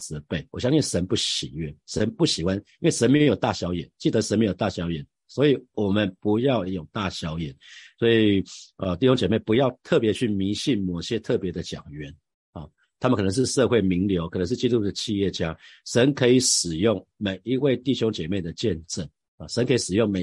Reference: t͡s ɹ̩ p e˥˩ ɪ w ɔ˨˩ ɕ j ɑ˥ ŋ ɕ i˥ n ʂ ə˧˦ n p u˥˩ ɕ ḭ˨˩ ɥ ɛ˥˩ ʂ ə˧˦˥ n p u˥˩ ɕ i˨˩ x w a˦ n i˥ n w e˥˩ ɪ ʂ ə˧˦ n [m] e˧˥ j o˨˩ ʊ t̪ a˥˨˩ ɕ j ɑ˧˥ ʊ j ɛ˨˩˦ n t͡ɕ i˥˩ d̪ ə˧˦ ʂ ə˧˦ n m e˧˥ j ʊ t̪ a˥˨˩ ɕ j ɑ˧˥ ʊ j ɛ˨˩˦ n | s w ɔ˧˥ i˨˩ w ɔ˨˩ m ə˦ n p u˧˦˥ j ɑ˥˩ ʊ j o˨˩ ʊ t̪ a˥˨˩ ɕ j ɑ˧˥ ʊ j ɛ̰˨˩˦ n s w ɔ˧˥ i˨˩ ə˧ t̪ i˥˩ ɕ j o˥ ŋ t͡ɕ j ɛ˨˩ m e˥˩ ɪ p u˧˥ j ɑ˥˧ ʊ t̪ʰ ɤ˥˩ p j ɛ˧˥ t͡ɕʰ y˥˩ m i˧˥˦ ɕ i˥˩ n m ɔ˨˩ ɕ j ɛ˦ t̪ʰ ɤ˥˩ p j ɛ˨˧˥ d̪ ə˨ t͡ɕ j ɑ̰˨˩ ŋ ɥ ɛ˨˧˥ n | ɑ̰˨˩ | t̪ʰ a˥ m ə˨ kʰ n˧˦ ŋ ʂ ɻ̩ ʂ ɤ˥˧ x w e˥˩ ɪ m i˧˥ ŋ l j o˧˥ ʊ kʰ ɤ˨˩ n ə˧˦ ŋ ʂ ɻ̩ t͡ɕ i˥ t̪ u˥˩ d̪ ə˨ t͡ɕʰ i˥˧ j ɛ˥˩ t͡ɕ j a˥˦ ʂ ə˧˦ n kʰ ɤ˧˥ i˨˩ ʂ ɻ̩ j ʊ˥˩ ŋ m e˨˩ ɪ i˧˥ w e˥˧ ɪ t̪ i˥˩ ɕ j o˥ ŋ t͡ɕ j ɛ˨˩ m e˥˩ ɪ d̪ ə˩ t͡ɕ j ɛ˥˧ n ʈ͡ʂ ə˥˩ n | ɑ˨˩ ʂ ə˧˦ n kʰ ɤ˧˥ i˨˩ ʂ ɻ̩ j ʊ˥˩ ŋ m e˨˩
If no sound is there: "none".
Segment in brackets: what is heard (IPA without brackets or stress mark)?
m